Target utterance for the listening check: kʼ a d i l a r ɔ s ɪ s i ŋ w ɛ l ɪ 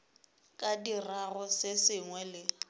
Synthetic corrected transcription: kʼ a d i r a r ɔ s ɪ s ɪ ŋ w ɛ l ɪ